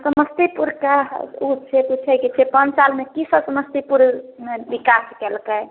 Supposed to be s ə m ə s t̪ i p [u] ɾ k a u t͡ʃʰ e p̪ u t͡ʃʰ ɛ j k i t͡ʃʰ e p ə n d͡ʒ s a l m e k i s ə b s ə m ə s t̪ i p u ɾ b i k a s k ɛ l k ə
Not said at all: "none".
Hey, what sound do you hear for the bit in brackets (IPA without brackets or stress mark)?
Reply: u